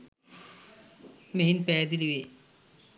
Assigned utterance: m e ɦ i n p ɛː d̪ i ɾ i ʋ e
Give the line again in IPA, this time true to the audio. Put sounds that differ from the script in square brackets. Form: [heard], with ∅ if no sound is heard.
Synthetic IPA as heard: m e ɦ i n p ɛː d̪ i [l] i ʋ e